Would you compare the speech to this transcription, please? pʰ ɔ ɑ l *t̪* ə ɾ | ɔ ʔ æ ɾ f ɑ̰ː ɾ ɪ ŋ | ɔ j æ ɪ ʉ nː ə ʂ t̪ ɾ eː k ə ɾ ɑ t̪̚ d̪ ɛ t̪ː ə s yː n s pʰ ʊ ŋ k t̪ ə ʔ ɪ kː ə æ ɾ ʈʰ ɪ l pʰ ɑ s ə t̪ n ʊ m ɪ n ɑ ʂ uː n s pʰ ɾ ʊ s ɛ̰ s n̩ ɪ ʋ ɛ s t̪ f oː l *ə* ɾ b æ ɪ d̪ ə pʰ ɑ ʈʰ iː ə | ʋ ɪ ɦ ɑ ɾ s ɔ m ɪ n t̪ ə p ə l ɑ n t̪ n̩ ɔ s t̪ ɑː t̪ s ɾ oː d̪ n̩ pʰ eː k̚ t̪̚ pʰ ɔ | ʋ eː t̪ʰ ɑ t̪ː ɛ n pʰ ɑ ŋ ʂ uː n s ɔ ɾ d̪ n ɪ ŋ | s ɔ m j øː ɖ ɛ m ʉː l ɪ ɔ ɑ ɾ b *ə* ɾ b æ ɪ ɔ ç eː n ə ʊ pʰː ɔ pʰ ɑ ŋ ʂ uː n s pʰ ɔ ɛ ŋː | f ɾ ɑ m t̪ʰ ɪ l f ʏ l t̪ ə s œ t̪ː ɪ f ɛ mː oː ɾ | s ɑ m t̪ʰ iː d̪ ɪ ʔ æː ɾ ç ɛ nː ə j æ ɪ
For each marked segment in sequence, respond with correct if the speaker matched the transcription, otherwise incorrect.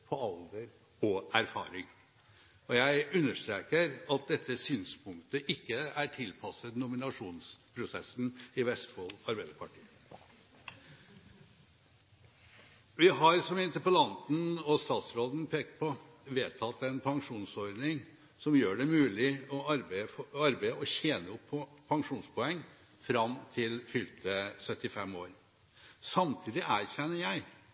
incorrect, incorrect, incorrect

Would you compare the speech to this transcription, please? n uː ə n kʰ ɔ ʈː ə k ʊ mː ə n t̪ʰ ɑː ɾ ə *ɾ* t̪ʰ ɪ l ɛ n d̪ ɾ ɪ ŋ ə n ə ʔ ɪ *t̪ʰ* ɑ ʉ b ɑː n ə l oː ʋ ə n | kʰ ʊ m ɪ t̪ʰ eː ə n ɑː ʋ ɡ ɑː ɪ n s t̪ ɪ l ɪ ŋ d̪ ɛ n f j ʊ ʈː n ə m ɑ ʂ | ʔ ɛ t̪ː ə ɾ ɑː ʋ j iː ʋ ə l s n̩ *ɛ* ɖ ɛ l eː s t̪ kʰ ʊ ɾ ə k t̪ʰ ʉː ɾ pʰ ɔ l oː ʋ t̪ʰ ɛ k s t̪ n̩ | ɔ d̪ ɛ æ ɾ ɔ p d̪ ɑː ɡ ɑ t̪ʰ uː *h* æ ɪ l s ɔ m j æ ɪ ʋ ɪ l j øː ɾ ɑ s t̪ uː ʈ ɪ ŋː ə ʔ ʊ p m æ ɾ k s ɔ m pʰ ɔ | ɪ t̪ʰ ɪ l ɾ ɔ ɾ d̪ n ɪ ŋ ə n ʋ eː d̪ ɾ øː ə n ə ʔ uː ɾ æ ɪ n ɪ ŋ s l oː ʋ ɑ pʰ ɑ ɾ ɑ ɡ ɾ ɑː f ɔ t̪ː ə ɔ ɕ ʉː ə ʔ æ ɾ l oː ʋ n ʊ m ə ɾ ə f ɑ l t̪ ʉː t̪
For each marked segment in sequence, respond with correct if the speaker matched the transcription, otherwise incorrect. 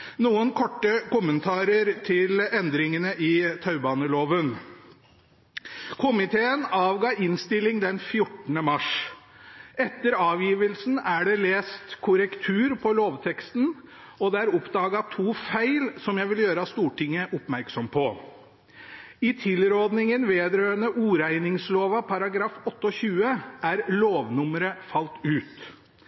correct, correct, incorrect, incorrect

